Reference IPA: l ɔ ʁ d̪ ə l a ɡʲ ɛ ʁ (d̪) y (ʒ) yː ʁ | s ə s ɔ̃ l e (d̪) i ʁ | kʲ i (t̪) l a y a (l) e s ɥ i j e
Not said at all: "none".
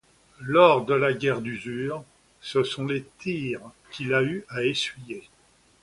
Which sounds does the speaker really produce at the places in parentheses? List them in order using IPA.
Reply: d̪, z, t̪, none, none

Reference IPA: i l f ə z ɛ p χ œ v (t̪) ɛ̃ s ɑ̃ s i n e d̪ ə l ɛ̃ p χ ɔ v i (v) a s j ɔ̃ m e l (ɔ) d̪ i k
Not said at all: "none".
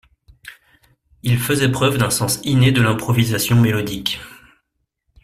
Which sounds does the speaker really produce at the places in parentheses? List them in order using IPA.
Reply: d̪, z, ɔ

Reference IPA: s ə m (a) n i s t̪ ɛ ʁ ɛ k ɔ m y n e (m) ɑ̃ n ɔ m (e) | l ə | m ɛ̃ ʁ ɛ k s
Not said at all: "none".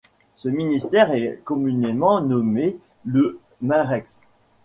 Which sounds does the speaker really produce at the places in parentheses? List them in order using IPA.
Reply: i, m, e

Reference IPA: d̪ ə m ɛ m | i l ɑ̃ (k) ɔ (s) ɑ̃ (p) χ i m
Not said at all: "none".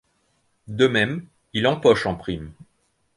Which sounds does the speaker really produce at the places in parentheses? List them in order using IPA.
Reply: p, ʃ, p

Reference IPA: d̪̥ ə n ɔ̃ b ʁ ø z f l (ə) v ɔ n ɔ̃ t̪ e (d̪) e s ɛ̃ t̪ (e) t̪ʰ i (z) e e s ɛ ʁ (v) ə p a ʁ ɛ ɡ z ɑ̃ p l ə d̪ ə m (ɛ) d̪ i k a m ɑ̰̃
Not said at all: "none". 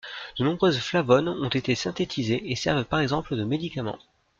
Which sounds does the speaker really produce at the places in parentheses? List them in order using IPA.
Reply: a, t̪, e, z, v, e

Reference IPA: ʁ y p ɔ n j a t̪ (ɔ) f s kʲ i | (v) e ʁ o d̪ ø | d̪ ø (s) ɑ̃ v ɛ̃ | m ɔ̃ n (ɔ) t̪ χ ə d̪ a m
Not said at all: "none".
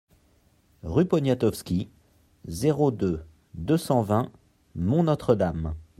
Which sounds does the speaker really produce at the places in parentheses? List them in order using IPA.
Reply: ɔ, z, s, ɔ

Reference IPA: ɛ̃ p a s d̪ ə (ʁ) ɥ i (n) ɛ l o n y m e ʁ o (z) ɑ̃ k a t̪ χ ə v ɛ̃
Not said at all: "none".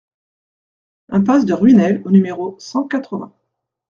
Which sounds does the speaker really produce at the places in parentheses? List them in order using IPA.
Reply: ʁ, n, s

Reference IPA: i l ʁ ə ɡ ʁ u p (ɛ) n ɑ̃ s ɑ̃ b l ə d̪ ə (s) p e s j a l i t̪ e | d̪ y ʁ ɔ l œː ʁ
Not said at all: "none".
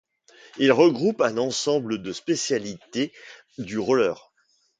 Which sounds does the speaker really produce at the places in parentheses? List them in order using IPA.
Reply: ɛ̃, s

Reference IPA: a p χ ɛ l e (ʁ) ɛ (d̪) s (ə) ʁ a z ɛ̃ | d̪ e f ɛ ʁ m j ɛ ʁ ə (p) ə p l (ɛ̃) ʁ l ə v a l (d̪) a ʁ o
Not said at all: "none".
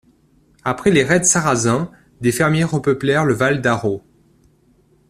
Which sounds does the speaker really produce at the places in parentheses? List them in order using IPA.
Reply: ʁ, d̪, a, p, ɛ, d̪

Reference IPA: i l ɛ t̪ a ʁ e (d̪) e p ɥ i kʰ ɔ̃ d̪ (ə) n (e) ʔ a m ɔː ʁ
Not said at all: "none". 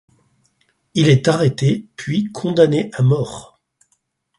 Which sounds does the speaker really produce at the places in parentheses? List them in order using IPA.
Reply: t̪, a, e

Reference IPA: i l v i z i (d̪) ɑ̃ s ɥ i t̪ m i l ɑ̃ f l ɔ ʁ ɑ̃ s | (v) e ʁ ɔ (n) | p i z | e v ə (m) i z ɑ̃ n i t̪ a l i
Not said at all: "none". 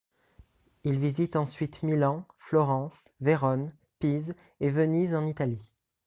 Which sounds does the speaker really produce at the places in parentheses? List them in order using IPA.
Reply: t̪, v, n, n

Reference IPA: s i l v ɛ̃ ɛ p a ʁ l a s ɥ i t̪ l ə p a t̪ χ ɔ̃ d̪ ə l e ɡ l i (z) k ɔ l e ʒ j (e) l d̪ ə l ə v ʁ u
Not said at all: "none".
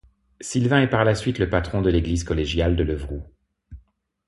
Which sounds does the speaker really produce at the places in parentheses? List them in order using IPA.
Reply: z, a

